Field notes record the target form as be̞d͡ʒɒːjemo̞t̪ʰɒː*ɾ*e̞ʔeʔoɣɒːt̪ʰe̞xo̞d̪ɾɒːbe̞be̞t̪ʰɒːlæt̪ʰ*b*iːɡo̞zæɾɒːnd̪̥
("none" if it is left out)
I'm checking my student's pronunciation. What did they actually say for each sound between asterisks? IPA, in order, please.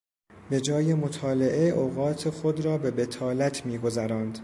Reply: l, m

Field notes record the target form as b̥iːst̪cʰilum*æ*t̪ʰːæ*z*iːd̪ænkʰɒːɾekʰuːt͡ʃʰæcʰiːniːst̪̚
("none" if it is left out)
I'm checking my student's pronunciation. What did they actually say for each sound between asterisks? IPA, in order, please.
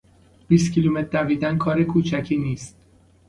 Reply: e, v

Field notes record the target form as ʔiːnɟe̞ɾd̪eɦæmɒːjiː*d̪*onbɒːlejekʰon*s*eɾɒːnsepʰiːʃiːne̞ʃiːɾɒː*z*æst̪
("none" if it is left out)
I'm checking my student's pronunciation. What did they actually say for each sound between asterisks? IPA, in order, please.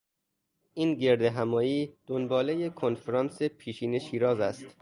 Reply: d̪, f, z

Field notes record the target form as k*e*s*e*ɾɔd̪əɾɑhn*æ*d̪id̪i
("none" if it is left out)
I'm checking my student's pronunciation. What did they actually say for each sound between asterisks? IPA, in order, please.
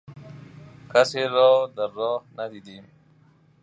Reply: a, e, a

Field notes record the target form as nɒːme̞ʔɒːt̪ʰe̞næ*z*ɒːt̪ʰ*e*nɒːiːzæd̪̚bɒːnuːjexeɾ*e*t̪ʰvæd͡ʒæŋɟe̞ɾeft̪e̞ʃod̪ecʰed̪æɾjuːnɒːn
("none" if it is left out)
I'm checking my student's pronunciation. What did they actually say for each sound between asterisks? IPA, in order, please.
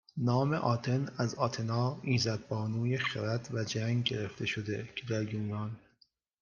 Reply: z, e, æ

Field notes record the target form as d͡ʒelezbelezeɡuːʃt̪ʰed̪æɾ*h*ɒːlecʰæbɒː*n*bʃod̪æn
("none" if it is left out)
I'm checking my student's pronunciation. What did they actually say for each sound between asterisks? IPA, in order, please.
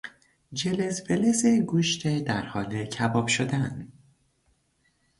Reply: h, none

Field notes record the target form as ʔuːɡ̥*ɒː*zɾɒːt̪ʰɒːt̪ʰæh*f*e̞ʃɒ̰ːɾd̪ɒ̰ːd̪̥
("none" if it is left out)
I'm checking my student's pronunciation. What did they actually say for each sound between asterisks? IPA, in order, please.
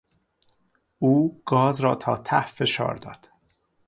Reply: ɒː, f

